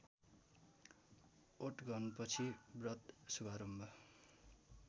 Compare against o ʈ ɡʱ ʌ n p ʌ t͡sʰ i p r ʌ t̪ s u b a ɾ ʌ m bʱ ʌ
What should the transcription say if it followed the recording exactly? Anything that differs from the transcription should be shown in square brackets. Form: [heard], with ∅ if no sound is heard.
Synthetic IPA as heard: o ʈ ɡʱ ʌ n p ʌ t͡sʰ i [b] r ʌ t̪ s u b a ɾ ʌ m bʱ ʌ